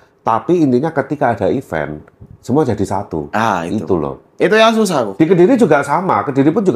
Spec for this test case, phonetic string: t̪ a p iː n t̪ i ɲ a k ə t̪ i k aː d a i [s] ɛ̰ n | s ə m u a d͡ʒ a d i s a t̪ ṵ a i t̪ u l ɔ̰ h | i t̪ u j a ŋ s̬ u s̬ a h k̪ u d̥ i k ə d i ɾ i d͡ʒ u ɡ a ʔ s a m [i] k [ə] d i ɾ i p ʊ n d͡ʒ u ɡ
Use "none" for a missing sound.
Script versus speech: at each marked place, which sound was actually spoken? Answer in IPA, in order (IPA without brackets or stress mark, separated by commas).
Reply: f, a, ə